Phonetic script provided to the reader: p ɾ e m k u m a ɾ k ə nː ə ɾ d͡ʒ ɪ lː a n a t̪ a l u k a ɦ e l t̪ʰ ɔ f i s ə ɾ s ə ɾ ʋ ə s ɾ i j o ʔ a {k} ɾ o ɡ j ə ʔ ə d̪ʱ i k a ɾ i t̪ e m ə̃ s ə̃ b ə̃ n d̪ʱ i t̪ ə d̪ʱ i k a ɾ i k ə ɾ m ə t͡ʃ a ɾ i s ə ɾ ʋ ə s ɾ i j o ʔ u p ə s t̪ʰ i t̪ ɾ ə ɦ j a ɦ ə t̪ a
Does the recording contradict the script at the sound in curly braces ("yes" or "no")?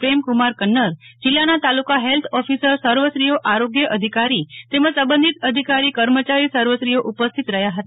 yes